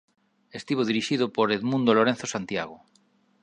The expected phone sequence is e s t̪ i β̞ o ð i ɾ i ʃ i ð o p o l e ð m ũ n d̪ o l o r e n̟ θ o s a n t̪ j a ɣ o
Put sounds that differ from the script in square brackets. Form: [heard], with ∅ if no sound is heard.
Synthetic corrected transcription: e s t̪ i β̞ o ð i ɾ i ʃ i ð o p o [ɾ] e ð m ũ n d̪ o l o [ɾ] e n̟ θ o s a n t̪ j a ɣ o

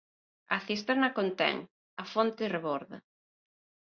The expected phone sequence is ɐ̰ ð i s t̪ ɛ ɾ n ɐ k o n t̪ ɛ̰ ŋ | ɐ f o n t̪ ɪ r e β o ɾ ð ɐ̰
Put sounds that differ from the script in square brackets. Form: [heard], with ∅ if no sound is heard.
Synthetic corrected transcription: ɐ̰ [θ] i s t̪ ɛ ɾ n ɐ k o n t̪ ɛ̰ ŋ | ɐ f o n t̪ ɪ r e β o ɾ ð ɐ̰

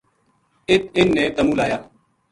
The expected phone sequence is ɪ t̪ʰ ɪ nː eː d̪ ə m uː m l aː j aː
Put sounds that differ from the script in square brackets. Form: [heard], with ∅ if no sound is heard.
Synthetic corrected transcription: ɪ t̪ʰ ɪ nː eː [t̪] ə m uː [∅] l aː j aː

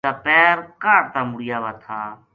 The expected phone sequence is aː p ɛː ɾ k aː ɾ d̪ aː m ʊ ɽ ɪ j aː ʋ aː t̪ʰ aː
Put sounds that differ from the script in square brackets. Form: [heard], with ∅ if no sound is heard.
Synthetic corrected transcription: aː p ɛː ɾ k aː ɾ [t̪] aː m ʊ ɽ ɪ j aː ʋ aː t̪ʰ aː

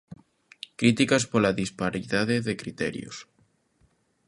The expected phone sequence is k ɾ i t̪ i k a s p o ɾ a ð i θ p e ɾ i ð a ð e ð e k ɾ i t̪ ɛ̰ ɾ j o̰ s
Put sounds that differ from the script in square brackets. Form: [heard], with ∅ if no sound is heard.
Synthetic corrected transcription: k ɾ i t̪ i k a s p o [l] a ð i [s] p [a] ɾ i ð a ð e ð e k ɾ i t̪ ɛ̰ ɾ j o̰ s

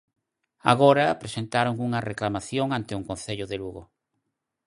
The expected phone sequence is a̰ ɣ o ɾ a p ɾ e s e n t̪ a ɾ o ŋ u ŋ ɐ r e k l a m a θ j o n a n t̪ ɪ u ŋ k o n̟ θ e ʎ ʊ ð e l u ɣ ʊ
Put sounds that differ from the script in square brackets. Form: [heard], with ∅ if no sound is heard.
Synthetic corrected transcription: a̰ ɣ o ɾ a p ɾ e s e n t̪ a ɾ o ŋ u ŋ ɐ r e k l a m a θ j o [ŋ] a n t̪ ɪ u ŋ k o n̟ θ e ʎ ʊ ð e l u ɣ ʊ

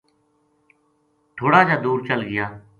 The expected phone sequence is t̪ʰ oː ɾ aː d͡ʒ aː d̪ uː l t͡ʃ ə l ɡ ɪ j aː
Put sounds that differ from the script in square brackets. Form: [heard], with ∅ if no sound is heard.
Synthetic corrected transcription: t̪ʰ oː [ɽ] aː d͡ʒ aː d̪ uː [ɾ] t͡ʃ ə l ɡ ɪ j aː

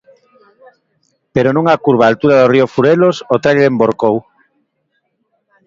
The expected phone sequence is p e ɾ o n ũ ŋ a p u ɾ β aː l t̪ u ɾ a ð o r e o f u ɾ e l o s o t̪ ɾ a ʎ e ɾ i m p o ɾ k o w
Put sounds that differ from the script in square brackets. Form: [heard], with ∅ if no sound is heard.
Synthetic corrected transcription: p e ɾ o n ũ ŋ a [k] u ɾ β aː l t̪ u ɾ a ð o r [i] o f u ɾ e l o s o t̪ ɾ a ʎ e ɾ [e] m [b] o ɾ k o w

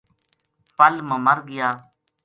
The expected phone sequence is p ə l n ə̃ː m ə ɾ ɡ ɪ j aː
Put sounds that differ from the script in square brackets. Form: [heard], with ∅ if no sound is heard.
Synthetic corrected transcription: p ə l [m] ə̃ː m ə ɾ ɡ ɪ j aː

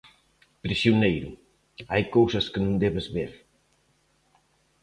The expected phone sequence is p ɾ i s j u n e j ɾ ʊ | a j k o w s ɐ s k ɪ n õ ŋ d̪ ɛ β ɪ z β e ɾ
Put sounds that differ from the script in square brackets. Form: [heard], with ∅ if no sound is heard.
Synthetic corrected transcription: p ɾ i s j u n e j ɾ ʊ | a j k o w s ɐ s k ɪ n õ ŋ d̪ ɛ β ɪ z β e ɾ

